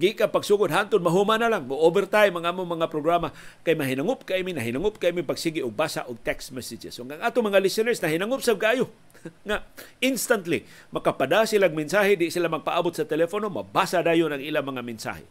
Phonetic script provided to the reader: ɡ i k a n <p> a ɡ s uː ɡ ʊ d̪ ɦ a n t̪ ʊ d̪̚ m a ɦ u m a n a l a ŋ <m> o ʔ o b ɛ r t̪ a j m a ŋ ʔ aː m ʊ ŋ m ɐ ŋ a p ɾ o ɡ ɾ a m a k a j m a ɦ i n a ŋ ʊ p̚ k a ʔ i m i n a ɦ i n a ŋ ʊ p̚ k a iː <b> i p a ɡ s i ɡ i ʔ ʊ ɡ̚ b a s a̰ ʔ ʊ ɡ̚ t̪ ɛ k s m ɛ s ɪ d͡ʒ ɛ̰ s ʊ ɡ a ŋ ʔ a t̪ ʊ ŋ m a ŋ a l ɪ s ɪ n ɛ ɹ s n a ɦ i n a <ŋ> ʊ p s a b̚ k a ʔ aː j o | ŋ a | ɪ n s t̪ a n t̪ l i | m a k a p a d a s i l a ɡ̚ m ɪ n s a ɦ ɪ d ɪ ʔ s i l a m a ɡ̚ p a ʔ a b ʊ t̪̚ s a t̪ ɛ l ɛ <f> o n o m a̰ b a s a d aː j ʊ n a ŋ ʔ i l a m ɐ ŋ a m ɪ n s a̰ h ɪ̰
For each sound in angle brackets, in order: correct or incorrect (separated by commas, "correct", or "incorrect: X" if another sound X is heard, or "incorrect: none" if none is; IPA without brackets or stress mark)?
correct, correct, incorrect: m, correct, correct